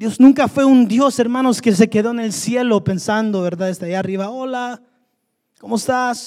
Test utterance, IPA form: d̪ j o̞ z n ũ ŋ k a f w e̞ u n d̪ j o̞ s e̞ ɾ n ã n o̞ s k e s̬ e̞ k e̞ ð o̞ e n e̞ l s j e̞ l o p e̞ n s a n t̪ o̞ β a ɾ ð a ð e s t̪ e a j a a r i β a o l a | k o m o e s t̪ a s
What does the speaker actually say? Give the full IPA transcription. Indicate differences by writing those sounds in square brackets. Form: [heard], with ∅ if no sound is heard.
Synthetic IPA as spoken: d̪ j o̞ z n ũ ŋ k a f w e̞ u n d̪ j o̞ s e̞ ɾ [m] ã n o̞ s k e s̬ e̞ k e̞ ð o̞ e n e̞ l s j e̞ l o p e̞ n s a n [d̪] o̞ β [e] ɾ ð a ð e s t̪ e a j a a r i β a o l a | k o m o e s t̪ a s